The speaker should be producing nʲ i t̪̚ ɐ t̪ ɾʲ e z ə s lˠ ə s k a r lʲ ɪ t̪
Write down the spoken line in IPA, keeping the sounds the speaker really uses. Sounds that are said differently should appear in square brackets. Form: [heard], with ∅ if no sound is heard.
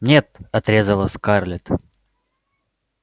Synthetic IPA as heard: nʲ [e] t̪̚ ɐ t̪ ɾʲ e z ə [∅] lˠ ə s k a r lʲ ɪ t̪